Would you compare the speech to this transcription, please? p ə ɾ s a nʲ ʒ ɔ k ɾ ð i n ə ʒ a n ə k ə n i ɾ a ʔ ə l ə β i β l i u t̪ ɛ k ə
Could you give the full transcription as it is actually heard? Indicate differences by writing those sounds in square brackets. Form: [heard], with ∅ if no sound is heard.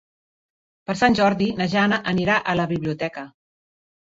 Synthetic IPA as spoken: p ə ɾ s a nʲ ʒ ɔ [∅] ɾ ð i n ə ʒ a n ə [ʔ] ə n i ɾ a ʔ ə l ə β i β l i u t̪ ɛ k ə